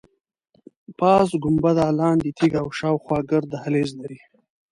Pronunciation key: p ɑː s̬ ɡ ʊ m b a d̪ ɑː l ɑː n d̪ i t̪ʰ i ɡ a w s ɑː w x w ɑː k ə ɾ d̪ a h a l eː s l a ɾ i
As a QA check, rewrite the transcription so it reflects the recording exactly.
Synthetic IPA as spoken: p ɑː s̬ ɡ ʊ m b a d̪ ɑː l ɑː n d̪ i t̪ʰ i ɡ a w ʃ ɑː w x w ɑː ɡ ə ɾ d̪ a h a l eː z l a ɾ i